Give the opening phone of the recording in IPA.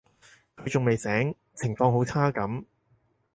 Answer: kʰ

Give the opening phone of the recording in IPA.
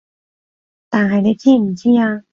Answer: t̪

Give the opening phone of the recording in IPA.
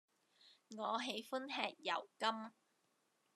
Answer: ŋ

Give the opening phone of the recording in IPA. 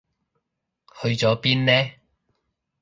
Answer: h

